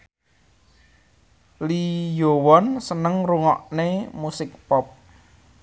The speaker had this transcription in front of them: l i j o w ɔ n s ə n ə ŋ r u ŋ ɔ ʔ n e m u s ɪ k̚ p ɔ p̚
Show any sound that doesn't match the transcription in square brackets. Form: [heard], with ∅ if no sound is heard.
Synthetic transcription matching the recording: l i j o w ɔ n s ə n ə ŋ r u ŋ ɔ ʔ n e m u s ɪ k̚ p ɔ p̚